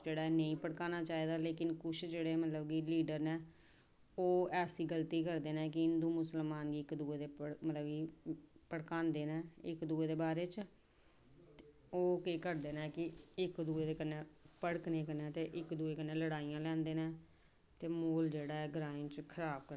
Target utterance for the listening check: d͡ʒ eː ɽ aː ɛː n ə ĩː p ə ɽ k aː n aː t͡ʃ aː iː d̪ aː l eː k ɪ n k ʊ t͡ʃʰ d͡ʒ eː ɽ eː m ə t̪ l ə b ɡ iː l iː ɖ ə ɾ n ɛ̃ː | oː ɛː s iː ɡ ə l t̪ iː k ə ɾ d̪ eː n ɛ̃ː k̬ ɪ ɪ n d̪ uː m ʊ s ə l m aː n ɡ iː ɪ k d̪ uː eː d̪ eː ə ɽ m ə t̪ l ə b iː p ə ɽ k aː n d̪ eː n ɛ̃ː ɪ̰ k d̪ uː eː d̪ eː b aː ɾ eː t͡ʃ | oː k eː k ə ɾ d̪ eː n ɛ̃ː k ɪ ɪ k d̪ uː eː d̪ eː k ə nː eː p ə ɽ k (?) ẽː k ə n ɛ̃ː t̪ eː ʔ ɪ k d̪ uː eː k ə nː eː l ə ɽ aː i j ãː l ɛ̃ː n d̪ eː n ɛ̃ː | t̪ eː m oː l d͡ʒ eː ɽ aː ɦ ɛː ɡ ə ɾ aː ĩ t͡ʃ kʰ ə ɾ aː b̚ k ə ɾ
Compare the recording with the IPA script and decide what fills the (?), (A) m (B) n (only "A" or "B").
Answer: B